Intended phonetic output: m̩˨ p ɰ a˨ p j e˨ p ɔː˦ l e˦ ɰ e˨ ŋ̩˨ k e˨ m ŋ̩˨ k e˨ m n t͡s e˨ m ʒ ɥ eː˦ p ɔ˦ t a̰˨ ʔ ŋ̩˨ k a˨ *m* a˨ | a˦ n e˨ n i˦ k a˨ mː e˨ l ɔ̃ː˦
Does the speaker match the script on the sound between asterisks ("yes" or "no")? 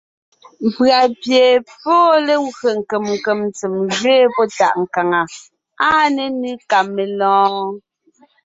no